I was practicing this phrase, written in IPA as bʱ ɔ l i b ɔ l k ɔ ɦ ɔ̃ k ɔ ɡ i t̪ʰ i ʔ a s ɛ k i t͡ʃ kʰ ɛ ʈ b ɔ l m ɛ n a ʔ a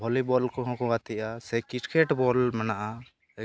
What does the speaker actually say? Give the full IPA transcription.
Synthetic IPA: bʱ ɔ l i b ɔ l k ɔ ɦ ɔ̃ k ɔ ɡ a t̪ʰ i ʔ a s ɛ k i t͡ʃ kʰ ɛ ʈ b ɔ l m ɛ n a ʔ a